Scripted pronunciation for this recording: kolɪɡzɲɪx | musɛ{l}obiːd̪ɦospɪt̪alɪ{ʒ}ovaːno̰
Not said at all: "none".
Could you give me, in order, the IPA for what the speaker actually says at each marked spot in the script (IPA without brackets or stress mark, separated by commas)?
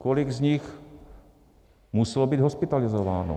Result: l, z